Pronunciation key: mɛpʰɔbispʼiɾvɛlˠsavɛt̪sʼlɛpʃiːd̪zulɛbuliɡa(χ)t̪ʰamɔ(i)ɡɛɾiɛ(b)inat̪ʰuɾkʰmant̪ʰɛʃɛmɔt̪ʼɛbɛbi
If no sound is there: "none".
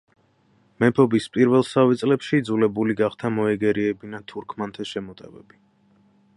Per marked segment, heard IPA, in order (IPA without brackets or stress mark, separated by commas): χ, ɛ, b